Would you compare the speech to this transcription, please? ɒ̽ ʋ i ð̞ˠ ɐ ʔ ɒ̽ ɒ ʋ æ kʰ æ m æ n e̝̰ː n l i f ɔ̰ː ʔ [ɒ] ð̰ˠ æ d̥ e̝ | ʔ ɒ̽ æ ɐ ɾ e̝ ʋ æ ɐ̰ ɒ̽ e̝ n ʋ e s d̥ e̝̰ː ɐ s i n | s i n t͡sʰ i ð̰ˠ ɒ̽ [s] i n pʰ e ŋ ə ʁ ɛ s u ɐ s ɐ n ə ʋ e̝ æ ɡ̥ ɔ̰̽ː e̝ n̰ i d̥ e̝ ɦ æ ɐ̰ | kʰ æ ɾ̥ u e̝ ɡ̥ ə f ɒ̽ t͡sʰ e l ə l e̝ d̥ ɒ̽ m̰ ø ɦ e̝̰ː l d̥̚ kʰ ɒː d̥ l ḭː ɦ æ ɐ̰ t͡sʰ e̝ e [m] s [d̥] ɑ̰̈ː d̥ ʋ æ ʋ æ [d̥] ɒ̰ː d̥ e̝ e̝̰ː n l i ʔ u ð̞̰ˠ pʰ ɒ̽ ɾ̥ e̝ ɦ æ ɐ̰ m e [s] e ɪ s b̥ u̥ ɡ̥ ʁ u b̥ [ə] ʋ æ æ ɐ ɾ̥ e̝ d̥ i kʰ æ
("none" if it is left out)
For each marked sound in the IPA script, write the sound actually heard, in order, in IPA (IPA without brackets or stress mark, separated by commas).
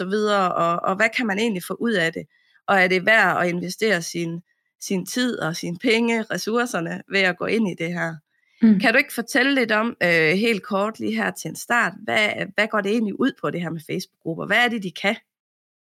u, s, n, d̥, ɡ̥, f, ɐ